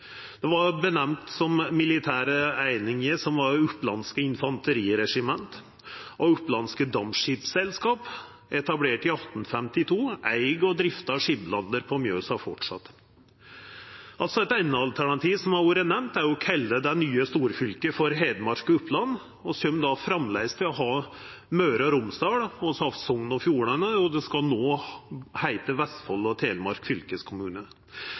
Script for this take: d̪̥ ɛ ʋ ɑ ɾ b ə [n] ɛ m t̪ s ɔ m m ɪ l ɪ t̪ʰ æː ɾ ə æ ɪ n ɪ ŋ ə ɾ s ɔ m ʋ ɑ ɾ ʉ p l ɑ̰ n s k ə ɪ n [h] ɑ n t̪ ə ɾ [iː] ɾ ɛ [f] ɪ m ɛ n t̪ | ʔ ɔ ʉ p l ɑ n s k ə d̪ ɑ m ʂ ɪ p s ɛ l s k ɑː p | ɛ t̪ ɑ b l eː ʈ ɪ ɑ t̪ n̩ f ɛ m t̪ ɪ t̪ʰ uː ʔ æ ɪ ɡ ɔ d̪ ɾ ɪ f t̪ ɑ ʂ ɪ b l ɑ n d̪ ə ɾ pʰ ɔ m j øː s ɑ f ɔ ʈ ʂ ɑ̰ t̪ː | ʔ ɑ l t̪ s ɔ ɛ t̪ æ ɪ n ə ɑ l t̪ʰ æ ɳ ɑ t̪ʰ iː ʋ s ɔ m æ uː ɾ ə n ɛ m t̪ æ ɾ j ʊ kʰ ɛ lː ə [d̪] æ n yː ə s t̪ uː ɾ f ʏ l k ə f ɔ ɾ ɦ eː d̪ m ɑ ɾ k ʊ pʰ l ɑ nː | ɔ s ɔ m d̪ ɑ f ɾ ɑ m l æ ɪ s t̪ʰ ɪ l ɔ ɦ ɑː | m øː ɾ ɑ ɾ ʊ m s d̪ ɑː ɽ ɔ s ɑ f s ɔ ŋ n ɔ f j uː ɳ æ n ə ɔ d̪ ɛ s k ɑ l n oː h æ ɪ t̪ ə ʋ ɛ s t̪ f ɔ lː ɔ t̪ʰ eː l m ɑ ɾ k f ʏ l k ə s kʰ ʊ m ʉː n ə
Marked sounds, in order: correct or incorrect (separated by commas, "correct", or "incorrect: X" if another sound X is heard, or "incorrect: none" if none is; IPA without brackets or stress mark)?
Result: correct, incorrect: f, correct, incorrect: ʂ, correct